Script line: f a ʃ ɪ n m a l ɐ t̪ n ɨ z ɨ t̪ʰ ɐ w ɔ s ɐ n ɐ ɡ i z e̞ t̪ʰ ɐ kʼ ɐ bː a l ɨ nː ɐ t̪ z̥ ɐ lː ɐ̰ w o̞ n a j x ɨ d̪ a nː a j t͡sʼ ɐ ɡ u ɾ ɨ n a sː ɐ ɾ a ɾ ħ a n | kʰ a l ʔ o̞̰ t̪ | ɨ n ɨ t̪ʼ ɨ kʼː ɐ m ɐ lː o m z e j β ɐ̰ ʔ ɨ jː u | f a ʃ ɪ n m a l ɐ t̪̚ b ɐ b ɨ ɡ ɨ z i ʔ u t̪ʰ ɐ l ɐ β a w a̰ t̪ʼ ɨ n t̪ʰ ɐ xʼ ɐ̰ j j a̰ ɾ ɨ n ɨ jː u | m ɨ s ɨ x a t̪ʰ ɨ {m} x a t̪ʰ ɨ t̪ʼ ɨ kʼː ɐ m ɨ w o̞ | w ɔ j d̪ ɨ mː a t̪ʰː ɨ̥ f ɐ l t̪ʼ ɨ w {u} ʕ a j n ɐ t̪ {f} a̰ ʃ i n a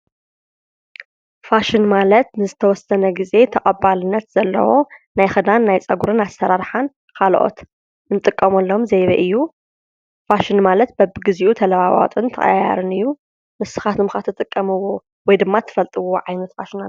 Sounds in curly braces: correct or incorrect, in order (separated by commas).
correct, incorrect, correct